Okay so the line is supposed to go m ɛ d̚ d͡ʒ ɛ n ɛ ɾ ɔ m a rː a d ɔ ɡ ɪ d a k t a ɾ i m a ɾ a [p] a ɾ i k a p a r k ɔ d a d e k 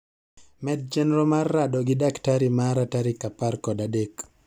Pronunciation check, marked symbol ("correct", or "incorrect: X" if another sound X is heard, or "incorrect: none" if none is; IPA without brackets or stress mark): incorrect: t